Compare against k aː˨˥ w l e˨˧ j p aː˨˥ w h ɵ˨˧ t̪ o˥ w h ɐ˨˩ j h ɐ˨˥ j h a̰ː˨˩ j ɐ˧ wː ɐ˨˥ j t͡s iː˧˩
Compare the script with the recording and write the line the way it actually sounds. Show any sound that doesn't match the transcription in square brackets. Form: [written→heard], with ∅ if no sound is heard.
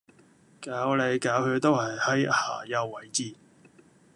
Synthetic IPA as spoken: k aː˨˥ w l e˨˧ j [p→k] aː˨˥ w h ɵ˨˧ t̪ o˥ w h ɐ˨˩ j h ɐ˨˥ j h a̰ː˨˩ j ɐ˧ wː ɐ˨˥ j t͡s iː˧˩